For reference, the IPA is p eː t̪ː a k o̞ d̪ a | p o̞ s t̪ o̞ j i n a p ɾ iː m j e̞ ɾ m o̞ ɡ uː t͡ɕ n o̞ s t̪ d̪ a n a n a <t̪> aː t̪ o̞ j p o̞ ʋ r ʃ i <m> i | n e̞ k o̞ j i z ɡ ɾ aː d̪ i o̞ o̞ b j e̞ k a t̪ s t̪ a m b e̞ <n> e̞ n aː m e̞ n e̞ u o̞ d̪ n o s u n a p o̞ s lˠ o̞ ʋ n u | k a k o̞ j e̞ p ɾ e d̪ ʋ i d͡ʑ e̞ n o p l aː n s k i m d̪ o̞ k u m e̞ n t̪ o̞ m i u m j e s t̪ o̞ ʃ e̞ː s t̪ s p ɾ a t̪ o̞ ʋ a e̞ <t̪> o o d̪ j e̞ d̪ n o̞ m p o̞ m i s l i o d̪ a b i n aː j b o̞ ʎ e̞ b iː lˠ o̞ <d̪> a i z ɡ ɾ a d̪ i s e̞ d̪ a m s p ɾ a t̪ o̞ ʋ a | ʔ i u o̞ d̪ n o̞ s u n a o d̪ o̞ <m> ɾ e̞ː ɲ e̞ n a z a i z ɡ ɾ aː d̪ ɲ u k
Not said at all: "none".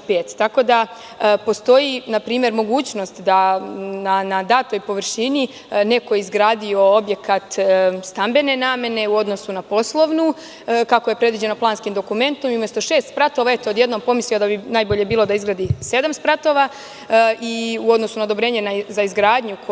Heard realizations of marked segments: d̪, n, n, t̪, d̪, b

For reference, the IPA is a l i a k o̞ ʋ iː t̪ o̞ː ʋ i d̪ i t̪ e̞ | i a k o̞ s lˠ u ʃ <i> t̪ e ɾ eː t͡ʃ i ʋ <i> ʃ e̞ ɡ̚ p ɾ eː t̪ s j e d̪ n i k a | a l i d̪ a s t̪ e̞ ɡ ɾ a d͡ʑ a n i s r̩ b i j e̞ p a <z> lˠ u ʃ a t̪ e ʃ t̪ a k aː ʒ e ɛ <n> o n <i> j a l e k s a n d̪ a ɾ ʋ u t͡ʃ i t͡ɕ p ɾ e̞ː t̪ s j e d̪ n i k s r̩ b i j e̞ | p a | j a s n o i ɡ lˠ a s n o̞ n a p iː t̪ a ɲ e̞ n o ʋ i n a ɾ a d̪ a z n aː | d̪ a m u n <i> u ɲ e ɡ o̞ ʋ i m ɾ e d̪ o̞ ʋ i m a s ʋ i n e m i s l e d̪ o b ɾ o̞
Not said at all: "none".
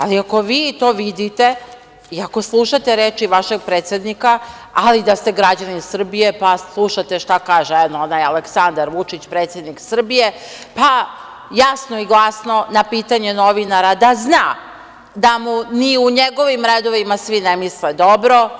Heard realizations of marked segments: a, a, s, n, a, i

